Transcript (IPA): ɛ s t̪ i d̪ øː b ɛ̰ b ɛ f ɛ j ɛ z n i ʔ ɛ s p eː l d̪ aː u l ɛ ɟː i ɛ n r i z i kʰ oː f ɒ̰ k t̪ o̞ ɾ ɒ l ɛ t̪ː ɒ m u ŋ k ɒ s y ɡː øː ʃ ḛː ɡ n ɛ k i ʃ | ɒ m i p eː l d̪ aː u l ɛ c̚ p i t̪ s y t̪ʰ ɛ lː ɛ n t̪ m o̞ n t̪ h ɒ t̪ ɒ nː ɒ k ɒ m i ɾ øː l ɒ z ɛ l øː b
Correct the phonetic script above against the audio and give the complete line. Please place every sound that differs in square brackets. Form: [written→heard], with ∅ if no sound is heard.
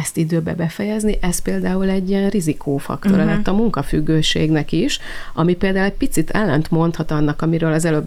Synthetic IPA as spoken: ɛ s t̪ i d̪ øː b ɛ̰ b ɛ f ɛ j ɛ z n i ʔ ɛ s p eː l d̪ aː u l ɛ ɟː i ɛ n r i z i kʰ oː f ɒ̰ k t̪ o̞ ɾ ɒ l ɛ t̪ː ɒ m u ŋ k ɒ [s→f] y ɡː øː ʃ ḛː ɡ n ɛ k i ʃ | ɒ m i p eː l d̪ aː u l ɛ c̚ p i t̪ s [y→i] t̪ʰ ɛ lː ɛ n t̪ m o̞ n t̪ h ɒ t̪ ɒ nː ɒ k ɒ m i ɾ øː l ɒ z ɛ l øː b